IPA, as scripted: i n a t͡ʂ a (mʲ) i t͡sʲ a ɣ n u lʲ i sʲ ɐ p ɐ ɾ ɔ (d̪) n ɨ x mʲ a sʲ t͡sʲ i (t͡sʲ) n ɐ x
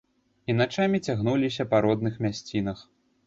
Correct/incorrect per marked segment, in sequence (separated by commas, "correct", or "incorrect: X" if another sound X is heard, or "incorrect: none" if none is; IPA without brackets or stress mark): correct, correct, incorrect: none